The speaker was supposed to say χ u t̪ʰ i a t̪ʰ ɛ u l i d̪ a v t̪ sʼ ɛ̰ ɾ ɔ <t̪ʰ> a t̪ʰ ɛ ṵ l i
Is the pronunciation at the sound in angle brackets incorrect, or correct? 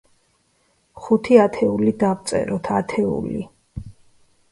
correct